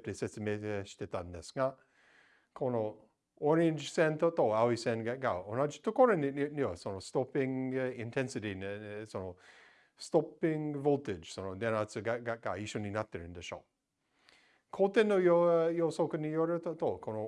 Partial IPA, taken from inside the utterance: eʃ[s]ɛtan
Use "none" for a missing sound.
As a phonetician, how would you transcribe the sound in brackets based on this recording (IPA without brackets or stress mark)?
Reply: t